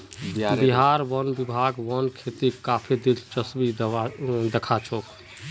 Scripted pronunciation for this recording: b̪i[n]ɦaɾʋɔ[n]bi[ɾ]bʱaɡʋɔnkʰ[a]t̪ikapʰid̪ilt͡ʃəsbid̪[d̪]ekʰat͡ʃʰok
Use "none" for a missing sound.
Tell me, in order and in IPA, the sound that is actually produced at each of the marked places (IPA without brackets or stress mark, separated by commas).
none, n, none, e, d̪